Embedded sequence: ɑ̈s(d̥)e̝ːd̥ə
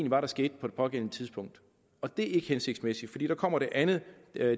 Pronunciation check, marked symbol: incorrect: ɡ̥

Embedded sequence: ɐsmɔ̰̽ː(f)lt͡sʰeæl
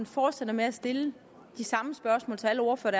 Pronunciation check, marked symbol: incorrect: none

